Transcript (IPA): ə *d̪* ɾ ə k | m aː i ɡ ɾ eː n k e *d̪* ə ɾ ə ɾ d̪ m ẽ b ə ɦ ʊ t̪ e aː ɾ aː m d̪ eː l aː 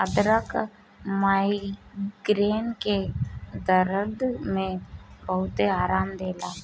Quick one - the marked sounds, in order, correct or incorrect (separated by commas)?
correct, correct